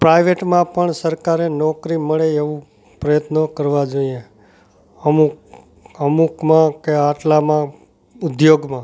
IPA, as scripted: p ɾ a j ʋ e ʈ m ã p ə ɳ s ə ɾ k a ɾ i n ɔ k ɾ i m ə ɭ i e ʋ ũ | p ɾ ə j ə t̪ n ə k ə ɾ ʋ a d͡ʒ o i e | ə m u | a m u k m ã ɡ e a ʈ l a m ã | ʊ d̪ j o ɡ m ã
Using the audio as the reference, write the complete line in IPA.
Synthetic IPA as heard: p ɾ a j ʋ e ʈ m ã p ə ɳ s ə ɾ k a ɾ e n ɔ k ɾ i m ə ɭ e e ʋ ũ | p ɾ ə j ə t̪ n ə k ə ɾ ʋ a d͡ʒ o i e | ə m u | ə m u k m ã k e a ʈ l a m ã | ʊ d̪ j o ɡ m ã